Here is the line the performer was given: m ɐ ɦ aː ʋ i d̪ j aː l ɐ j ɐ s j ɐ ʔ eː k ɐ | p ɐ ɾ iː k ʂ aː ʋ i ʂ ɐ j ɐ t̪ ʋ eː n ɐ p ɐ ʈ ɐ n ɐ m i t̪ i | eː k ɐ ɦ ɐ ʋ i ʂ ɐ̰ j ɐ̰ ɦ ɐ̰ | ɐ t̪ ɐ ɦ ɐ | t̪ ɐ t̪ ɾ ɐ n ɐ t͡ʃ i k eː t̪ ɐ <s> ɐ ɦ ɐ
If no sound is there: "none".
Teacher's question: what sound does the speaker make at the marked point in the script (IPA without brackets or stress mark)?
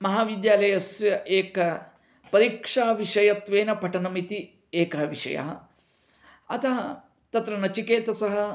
s